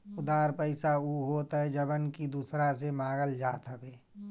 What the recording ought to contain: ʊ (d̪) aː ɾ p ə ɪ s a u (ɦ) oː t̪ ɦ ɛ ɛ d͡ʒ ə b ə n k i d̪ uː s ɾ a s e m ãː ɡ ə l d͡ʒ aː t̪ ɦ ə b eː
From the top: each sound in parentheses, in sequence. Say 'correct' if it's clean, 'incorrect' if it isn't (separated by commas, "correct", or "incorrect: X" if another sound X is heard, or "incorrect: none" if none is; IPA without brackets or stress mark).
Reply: correct, correct